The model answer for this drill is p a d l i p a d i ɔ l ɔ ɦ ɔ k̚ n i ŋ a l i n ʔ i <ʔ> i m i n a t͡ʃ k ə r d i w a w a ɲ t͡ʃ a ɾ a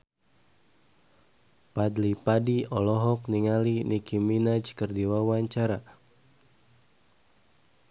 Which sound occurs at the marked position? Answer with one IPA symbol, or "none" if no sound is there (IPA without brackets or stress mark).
k